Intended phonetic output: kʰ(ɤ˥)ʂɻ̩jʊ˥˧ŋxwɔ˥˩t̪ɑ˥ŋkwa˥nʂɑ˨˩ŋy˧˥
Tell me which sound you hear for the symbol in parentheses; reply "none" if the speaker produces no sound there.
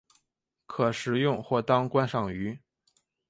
ɤ˨˩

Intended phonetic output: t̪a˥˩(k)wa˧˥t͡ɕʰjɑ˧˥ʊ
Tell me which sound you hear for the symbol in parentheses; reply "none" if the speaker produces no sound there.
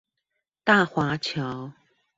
x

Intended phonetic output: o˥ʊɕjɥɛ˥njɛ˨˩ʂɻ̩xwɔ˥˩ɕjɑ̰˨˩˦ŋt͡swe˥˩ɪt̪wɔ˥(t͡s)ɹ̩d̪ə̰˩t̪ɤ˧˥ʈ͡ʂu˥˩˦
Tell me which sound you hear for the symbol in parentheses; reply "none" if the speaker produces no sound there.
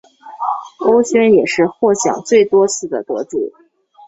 t͡sʰ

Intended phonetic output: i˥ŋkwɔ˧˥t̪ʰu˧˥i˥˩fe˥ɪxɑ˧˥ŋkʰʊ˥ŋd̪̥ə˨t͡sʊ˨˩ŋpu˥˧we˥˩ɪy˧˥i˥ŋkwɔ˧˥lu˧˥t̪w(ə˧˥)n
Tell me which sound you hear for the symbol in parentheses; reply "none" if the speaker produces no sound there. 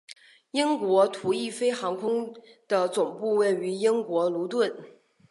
ə˥˩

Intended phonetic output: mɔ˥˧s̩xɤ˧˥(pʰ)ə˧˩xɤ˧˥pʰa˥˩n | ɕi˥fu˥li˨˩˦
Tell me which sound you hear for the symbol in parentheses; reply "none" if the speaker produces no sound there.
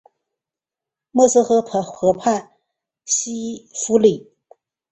pʰ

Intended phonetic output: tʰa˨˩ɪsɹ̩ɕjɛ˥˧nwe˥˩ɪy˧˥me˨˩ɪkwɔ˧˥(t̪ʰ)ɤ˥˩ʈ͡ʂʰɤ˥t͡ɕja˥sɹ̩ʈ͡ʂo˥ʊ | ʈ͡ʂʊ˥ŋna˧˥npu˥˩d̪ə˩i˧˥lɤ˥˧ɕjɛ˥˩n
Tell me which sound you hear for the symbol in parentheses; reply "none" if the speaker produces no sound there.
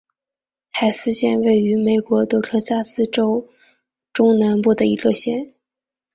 t̪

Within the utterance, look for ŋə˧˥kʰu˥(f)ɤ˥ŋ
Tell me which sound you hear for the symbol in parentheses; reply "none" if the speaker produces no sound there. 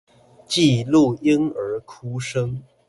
ʂ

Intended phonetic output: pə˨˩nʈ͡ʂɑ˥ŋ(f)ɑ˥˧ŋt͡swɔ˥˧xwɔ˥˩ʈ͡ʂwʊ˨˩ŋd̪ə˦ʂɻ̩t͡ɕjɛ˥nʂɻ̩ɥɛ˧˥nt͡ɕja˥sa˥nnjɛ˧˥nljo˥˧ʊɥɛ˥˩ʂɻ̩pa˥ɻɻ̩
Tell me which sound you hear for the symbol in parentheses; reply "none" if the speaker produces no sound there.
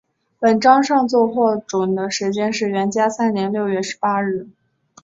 ʂ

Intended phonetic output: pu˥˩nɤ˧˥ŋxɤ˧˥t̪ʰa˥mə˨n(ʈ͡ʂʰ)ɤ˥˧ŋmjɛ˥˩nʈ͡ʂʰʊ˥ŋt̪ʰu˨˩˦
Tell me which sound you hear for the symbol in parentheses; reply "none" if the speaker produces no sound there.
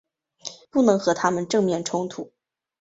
ʈ͡ʂ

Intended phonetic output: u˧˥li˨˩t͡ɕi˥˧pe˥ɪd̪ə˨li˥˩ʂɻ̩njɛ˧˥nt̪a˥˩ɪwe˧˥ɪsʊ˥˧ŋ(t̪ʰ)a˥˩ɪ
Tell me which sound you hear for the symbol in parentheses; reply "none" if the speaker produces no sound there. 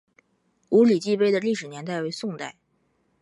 t̪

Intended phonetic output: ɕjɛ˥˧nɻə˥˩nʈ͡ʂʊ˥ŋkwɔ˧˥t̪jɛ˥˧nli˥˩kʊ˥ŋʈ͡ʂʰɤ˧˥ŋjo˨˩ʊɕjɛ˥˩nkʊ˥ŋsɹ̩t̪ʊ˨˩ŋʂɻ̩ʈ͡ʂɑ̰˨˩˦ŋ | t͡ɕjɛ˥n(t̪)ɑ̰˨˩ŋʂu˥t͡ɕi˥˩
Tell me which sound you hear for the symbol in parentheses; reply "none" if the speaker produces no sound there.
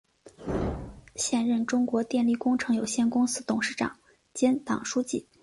t̪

